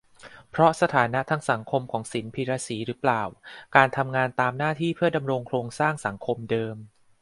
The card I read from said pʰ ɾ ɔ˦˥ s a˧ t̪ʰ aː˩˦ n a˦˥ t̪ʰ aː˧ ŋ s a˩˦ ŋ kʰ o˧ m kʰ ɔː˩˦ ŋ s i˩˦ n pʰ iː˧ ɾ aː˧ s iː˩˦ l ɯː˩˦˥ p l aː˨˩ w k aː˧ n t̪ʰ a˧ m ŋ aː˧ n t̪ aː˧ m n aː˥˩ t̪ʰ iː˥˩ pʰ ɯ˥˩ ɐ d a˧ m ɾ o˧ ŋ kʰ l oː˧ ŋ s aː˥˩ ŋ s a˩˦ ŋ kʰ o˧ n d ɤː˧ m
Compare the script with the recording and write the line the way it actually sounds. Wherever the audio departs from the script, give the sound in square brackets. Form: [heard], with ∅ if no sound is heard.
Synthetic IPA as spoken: pʰ ɾ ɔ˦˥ s a˧ t̪ʰ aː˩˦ n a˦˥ t̪ʰ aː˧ ŋ s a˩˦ ŋ kʰ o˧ m kʰ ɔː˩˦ ŋ s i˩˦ n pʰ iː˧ ɾ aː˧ s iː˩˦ [ɾ] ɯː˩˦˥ p l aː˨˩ w k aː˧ n t̪ʰ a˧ m ŋ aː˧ n t̪ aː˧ m n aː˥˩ t̪ʰ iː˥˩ pʰ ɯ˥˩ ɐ d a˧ m ɾ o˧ ŋ kʰ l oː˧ ŋ s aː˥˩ ŋ s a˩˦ ŋ kʰ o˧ [m] d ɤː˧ m